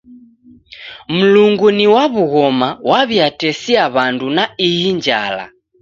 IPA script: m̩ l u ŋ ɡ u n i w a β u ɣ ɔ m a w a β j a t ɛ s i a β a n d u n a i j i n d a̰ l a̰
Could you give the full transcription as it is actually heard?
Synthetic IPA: m̩ l u ŋ ɡ u n i w a β u ɣ ɔ m a w a β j a t ɛ s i a β a n d u n a i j i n d͡ʒ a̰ l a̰